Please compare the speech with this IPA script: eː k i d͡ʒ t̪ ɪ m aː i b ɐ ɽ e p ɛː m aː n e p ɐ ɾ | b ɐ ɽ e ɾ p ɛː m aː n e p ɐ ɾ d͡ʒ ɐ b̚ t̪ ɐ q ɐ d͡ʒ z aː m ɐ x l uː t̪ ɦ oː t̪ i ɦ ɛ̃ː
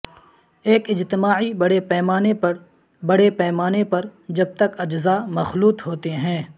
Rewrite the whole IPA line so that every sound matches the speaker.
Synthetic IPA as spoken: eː k ɪ d͡ʒ t̪ ɪ m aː i b ɐ ɽ e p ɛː m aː n e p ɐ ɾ | b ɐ ɽ e p ɛː m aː n e p ɐ ɾ d͡ʒ ɐ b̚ t̪ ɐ k ɐ d͡ʒ z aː m ɐ x l uː t̪ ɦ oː t̪ e ɦ ɛ̃ː

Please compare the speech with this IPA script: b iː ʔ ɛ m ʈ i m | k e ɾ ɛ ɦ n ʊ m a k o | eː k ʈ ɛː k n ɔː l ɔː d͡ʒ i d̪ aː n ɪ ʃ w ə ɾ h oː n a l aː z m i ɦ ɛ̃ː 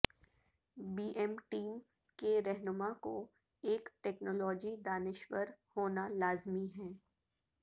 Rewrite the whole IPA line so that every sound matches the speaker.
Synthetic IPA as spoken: b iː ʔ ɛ m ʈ iː m | k e ɾ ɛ ɦ n ʊ m a k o | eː k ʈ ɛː k n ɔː l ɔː d͡ʒ i d̪ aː n ɪ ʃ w ə ɾ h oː n a l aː z m i ɦ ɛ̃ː

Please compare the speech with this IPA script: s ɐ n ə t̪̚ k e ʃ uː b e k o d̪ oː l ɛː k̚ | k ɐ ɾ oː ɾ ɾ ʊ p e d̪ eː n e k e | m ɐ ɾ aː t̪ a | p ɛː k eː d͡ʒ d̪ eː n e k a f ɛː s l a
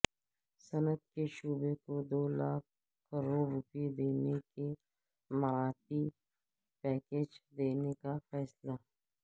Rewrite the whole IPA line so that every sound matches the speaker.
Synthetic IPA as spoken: s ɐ n ə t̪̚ k e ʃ uː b e k o d̪ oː l aː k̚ | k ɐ ɾ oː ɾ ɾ ʊ p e d̪ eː n e k e | m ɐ ɾ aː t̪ i | p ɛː k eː d͡ʒ d̪ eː n e k a f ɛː s l a

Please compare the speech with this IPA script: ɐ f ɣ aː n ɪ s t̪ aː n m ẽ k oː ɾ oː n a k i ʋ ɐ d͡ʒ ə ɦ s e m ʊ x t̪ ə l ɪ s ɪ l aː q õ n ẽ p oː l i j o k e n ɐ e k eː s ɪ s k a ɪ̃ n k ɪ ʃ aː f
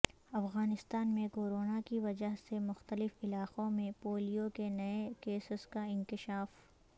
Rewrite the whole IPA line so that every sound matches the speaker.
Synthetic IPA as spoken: ɐ f ɣ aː n ɪ s t̪ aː n m ẽ k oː ɾ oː n a k i ʋ ɐ d͡ʒ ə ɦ s e m ʊ x t̪ ə l ɪ f ɪ l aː q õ m ẽ p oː l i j o k e n ɐ e k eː s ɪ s k a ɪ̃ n k ɪ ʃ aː f

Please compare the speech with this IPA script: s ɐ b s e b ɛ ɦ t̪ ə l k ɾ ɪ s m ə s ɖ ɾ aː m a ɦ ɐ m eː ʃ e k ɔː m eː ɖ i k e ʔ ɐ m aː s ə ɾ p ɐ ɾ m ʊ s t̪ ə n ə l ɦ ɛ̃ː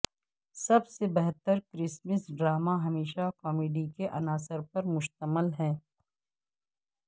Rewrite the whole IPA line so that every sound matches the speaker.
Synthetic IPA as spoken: s ɐ b s e b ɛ ɦ t̪ ə ɾ k ɾ ɪ s m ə s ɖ ɾ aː m a ɦ ɐ m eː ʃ a k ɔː m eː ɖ i k e ʔ ɐ n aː s ə ɾ p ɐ ɾ m ʊ ʃ t̪ ə m ə l ɦ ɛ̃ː

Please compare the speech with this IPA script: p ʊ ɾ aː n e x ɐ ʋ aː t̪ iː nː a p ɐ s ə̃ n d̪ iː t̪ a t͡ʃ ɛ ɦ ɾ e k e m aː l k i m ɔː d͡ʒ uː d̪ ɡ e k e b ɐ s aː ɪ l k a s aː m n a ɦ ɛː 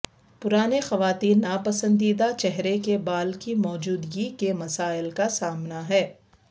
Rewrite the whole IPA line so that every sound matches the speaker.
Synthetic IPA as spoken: p ʊ ɾ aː n e x ɐ ʋ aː t̪ iː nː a p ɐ s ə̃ n d̪ iː d̪ a t͡ʃ ɛ ɦ ɾ e k e b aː l k i m ɔː d͡ʒ uː d̪ ɡ i k e m ɐ s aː ɪ l k a s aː m n a ɦ ɛː

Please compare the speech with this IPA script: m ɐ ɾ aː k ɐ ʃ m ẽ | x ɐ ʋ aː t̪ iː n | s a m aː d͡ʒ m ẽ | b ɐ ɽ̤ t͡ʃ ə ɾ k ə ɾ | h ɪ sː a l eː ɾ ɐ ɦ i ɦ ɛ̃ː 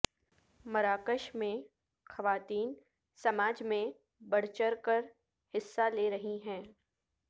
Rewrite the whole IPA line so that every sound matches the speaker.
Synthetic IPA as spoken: m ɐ ɾ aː k ə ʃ m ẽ | x ɐ ʋ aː t̪ iː n | s ɐ m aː d͡ʒ m ẽ | b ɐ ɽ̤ t͡ʃ ə ɾ k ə ɾ | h ɪ sː a l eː ɾ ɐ ɦ i ɦ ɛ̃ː

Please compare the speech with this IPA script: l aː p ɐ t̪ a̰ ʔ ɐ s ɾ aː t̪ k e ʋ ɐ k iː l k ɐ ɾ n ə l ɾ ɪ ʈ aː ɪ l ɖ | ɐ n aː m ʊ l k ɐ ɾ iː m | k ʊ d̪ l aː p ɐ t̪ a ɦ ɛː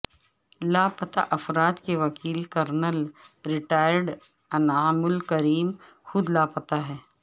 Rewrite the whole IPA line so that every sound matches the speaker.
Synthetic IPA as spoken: l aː p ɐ t̪ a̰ ʔ ɐ f ɾ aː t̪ k e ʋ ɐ k iː l k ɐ ɾ n ə l ɾ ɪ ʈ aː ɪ ɾ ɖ | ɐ n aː m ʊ l k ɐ ɾ iː m | x ʊ d̪ l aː p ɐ t̪ a ɦ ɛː

